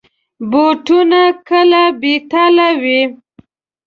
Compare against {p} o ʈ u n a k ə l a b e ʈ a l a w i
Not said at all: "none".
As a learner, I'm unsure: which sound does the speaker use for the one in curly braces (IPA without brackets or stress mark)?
b